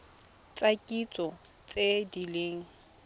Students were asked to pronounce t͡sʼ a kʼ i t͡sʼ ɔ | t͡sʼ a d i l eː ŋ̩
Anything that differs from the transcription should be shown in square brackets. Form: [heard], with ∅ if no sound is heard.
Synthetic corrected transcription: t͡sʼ a kʼ i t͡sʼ ɔ | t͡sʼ [e] d i l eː ŋ̩